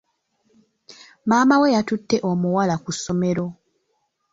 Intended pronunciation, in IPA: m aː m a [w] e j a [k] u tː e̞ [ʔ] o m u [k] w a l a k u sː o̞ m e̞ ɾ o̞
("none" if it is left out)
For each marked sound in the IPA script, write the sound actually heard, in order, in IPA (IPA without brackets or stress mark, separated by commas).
w, t, ʔ, none